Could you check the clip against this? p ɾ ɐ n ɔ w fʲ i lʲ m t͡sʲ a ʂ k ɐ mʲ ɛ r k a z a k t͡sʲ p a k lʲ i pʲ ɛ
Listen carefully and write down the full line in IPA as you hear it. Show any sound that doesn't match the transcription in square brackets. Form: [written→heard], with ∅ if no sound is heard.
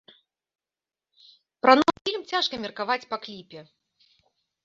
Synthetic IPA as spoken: p ɾ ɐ n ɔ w fʲ i lʲ m t͡sʲ a ʂ k ɐ mʲ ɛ r k a [z→v] a [k→∅] t͡sʲ p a k lʲ i pʲ ɛ